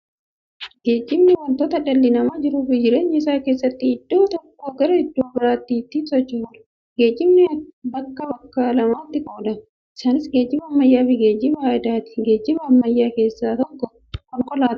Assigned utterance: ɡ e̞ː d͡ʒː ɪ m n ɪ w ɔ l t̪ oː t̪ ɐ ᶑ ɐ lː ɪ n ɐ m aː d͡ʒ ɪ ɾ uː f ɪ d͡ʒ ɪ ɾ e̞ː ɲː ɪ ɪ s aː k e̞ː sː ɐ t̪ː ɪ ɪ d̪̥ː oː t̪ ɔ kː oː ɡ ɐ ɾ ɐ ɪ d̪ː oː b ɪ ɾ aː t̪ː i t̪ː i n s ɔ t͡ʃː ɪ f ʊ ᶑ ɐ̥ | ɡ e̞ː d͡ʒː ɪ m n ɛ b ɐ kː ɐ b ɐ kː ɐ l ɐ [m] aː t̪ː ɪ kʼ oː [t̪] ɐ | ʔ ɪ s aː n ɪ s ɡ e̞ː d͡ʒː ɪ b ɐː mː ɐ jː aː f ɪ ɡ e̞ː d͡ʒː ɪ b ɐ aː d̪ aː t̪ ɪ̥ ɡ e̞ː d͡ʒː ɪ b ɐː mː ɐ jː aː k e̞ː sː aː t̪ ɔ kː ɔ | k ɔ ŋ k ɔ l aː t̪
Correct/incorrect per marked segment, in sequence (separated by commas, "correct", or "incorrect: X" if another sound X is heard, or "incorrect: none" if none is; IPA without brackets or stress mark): correct, incorrect: d̪